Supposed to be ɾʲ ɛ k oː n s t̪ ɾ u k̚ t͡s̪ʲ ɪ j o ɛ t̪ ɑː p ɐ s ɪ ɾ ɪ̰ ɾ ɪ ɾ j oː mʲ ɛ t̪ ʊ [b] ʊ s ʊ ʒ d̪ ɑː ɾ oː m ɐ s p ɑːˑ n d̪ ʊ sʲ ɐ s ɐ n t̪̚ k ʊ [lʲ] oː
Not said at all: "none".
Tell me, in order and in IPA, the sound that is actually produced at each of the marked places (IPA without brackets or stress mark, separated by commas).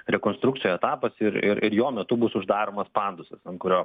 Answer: b, ɾʲ